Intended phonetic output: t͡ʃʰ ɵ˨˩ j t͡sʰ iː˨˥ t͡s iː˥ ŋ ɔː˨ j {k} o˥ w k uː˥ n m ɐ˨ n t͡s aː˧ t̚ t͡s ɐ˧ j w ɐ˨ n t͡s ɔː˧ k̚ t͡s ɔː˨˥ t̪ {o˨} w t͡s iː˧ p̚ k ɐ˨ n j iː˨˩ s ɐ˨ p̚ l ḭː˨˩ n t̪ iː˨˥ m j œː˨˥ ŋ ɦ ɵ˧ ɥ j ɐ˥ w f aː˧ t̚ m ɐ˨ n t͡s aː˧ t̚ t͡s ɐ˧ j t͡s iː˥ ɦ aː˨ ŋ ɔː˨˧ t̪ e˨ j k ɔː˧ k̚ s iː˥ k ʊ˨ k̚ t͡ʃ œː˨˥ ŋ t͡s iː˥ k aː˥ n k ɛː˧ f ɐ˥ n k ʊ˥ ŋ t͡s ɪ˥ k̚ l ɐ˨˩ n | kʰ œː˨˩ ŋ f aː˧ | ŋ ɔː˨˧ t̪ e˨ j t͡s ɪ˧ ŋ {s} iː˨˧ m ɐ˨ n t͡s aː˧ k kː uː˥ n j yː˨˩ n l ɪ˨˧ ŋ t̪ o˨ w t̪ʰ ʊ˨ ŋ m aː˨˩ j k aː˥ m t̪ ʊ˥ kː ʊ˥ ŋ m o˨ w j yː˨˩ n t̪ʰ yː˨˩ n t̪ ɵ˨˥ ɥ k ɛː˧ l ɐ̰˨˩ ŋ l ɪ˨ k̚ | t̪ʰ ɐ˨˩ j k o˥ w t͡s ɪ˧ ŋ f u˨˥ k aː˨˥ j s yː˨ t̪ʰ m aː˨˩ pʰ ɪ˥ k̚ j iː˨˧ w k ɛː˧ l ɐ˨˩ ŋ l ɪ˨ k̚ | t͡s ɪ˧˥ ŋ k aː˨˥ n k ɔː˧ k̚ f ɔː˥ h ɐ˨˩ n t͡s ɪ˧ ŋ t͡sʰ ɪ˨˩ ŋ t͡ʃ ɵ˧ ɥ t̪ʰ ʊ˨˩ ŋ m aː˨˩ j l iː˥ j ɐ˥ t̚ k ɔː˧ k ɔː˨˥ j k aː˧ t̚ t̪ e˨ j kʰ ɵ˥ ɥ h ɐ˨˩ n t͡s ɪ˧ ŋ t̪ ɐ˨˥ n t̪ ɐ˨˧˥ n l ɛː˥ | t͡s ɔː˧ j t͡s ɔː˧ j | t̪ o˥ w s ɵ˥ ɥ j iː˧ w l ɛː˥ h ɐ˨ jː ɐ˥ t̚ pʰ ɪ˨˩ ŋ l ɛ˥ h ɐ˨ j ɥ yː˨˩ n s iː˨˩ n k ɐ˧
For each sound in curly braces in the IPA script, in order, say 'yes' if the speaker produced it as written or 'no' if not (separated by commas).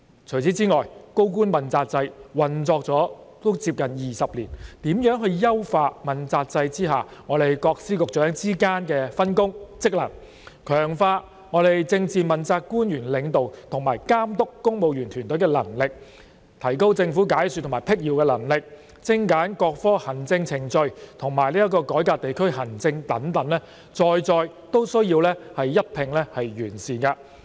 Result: yes, no, no